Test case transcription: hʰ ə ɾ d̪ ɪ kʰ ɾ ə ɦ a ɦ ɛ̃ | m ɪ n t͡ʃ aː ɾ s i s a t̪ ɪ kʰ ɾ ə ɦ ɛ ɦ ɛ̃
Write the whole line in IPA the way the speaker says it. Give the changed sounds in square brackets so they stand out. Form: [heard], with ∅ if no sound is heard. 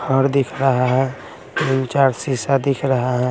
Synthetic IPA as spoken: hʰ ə ɾ d̪ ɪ kʰ ɾ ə ɦ a ɦ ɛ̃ | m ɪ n t͡ʃ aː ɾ s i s a [d̪] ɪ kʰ ɾ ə ɦ [a] ɦ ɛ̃